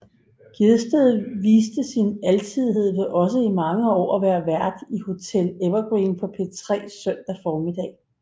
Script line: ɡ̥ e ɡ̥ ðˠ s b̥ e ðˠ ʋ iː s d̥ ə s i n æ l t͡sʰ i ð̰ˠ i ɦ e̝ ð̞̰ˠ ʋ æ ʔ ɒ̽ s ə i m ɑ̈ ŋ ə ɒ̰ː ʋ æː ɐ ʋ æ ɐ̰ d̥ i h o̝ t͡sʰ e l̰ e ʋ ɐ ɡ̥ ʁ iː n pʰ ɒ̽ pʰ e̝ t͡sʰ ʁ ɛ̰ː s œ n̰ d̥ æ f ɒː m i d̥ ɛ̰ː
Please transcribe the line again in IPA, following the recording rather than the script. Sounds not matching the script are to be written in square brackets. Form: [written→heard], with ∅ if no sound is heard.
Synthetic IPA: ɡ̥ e [ɡ̥→∅] ðˠ s [b̥→d̥] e ðˠ ʋ iː s d̥ ə s i n æ l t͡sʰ i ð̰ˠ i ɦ e̝ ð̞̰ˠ ʋ [æ→e] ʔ ɒ̽ s ə i m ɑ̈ ŋ ə ɒ̰ː ʋ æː ɐ ʋ æ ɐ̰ d̥ i h o̝ t͡sʰ e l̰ e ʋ ɐ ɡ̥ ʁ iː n pʰ ɒ̽ pʰ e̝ t͡sʰ ʁ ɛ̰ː s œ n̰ d̥ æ f ɒː m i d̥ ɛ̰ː